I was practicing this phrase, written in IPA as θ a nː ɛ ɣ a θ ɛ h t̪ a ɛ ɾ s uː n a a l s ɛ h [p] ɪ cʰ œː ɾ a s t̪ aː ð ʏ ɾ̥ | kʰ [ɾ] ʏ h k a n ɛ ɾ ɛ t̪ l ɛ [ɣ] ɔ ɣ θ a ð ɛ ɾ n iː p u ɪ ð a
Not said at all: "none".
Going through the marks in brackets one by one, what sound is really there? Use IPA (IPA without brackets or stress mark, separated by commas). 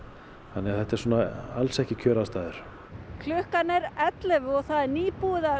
c, l, v